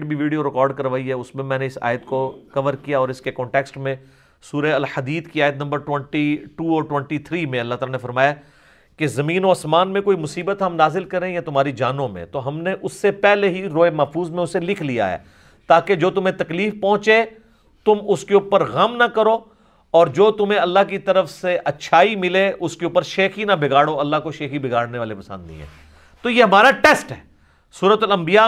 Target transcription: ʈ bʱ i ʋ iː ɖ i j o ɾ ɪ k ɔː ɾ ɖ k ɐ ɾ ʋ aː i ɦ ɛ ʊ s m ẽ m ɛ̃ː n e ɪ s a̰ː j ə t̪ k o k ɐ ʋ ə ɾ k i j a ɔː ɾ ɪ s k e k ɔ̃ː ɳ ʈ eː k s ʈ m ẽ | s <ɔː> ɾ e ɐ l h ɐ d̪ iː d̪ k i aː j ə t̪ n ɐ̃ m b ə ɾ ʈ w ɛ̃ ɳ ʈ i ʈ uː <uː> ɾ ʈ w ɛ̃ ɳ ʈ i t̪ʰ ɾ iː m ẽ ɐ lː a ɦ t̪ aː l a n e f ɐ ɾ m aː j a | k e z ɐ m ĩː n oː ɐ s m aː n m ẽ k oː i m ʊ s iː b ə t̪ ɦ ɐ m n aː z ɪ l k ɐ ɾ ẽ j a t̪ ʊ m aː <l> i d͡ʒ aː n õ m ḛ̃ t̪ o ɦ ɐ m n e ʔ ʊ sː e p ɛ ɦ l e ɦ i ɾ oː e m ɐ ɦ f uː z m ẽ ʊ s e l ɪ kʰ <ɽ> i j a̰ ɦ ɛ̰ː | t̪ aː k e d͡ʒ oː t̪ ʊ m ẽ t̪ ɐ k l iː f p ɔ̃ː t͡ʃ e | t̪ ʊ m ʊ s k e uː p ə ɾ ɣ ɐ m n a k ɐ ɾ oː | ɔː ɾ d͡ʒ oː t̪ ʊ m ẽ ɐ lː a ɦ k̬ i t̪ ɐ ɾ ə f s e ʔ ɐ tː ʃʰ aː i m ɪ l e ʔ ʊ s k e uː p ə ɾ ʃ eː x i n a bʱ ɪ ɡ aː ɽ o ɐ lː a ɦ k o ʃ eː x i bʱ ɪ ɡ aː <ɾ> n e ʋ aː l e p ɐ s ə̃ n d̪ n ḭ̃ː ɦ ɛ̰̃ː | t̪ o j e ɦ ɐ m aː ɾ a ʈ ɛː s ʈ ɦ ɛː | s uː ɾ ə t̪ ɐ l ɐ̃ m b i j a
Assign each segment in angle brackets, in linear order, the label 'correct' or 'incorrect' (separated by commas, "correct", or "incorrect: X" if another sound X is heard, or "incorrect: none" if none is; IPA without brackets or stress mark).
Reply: incorrect: uː, incorrect: ɔː, incorrect: ɾ, incorrect: l, incorrect: ɽ